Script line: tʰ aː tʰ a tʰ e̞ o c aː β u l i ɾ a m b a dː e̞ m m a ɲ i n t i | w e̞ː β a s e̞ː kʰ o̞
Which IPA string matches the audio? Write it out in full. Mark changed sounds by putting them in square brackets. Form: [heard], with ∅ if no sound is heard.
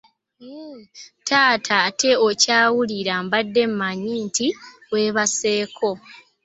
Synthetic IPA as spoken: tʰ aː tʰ a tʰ e̞ o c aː [w] u l i ɾ a m b a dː e̞ m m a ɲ i n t i | w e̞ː β a s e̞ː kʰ o̞